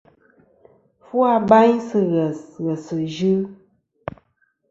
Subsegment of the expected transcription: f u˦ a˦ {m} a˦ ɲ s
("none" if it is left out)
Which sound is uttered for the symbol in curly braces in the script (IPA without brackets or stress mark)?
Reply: b